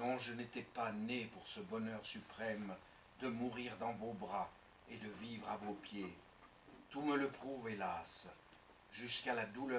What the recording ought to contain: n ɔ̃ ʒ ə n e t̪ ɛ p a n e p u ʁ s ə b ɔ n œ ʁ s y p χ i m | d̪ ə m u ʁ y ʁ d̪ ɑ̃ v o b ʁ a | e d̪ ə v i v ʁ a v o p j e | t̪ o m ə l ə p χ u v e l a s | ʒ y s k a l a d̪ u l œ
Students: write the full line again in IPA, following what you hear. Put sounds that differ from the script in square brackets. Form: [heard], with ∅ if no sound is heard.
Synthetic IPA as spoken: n ɔ̃ ʒ ə n e t̪ ɛ p a n e p u ʁ s ə b ɔ n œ ʁ s y p χ [ɛ] m | d̪ ə m u ʁ [i] ʁ d̪ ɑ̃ v o b ʁ a | e d̪ ə v i v ʁ a v o p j e | t̪ [u] m ə l ə p χ u v e l a s | ʒ y s k a l a d̪ u l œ